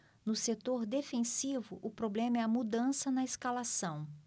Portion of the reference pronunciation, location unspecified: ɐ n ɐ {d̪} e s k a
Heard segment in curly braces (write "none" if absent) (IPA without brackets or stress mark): none